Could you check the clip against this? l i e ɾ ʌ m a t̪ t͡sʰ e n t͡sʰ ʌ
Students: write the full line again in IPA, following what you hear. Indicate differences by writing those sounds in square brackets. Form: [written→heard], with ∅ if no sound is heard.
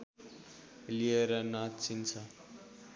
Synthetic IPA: l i e ɾ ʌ [m→n] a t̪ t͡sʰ [e→i] n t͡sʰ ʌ